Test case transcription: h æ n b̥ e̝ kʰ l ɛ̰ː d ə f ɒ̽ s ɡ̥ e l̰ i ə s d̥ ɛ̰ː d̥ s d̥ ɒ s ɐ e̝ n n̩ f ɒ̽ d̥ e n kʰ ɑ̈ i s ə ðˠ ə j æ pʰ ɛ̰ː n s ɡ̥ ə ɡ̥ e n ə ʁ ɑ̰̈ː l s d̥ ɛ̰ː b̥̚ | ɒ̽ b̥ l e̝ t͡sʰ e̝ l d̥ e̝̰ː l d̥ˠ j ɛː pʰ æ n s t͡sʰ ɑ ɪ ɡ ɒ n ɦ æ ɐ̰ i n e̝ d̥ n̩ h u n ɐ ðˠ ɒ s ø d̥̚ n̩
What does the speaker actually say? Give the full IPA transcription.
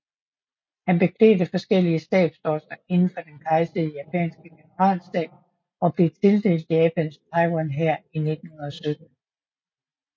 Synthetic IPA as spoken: h æ n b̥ e̝ kʰ l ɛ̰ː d ə f ɒ̽ s ɡ̥ e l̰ i ə s d̥ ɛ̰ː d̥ s d̥ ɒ s ɐ e̝ n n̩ f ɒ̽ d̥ e n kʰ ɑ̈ ɪ s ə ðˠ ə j æ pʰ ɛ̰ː n s ɡ̥ ə ɡ̥ e n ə ʁ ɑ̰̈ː l s d̥ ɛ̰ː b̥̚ | ɒ̽ b̥ l e̝ t͡sʰ e̝ l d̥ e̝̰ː l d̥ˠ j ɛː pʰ æ n s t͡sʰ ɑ ɪ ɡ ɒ n ɦ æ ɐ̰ i n e̝ d̥ n̩ h u n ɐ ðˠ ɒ s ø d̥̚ n̩